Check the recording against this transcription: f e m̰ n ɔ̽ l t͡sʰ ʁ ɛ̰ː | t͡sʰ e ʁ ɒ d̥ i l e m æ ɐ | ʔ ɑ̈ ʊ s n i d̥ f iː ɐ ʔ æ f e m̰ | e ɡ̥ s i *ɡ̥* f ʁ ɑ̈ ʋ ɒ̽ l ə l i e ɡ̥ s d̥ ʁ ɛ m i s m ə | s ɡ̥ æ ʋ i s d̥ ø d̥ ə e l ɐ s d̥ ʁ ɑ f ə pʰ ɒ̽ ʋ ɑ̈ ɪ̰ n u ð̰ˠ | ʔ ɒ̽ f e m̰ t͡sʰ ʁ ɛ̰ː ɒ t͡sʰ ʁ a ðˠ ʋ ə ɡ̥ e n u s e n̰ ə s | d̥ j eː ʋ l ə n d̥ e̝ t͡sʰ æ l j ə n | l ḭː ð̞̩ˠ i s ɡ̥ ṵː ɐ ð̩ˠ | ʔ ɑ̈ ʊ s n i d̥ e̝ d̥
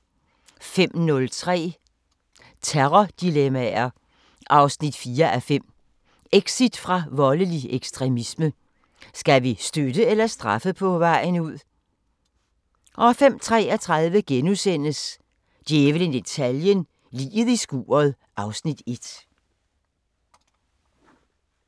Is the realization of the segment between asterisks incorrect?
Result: yes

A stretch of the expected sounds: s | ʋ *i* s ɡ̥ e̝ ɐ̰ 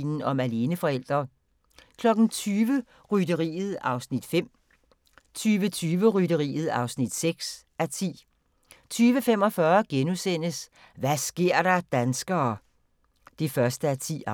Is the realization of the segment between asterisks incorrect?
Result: yes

